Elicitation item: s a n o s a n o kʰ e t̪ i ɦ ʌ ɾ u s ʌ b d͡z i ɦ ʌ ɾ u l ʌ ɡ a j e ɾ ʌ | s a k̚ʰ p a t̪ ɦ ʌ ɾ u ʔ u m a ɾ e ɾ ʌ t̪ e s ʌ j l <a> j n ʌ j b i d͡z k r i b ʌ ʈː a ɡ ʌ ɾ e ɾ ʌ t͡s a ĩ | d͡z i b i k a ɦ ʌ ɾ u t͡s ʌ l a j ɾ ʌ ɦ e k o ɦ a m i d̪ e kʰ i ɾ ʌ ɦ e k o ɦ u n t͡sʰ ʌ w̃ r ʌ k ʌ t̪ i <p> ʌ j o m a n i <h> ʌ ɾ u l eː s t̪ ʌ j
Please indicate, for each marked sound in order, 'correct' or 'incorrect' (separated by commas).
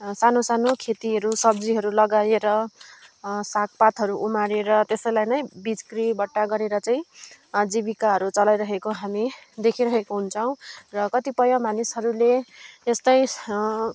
correct, correct, incorrect